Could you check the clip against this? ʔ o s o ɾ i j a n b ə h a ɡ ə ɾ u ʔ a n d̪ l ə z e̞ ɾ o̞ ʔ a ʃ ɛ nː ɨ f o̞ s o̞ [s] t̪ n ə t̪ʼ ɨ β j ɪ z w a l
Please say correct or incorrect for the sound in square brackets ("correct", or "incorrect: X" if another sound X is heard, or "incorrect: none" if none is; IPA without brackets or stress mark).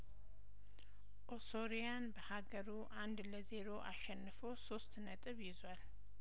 correct